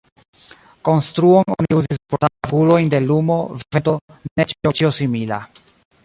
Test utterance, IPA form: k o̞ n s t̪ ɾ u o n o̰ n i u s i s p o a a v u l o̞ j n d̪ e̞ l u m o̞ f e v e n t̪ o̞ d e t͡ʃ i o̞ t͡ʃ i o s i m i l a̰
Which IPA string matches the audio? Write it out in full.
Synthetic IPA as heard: k o̞ n s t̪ ɾ u o n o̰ n i u z i s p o a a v u l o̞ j n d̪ e̞ l u m o̞ v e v e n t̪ o̞ n e t͡ʃ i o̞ t͡ʃ i o s i m i l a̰